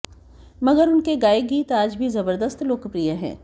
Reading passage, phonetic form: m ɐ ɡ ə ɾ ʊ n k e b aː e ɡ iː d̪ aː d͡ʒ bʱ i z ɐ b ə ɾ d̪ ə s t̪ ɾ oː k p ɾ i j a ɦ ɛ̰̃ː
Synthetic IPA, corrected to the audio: m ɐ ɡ ə ɾ ʊ n k e ɡ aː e ɡ iː t̪ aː d͡ʒ bʱ i z ɐ b ə ɾ d̪ ə s t̪ l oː k p ɾ i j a ɦ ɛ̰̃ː